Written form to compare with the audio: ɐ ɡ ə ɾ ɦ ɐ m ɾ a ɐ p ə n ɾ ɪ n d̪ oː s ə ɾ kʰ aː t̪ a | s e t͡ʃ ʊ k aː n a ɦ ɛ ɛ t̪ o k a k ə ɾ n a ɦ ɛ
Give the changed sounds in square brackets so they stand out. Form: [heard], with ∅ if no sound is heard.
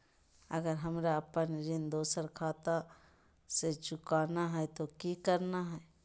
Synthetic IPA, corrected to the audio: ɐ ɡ ə ɾ ɦ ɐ m ɾ a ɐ p ə n ɾ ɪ n d̪ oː s ə ɾ kʰ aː t̪ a | s e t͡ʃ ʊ k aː n a ɦ ɛ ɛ t̪ o k [i] k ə ɾ n a ɦ ɛ